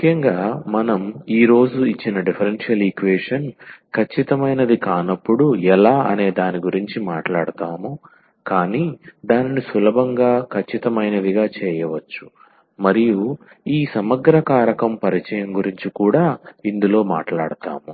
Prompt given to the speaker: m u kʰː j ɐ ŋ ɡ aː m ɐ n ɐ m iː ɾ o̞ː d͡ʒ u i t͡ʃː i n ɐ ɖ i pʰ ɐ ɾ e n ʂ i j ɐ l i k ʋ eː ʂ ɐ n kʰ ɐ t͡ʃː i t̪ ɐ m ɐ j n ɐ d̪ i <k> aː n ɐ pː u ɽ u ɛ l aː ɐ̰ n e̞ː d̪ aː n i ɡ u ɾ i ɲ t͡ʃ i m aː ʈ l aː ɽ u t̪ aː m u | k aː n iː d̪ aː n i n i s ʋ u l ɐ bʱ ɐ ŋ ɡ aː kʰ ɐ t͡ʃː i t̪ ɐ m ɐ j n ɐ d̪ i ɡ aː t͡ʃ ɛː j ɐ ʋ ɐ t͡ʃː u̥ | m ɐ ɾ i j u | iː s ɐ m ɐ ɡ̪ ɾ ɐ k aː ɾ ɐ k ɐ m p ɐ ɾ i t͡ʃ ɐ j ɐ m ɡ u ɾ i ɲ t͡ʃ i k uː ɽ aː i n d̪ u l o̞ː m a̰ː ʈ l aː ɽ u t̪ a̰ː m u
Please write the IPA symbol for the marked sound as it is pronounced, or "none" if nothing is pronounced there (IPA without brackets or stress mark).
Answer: k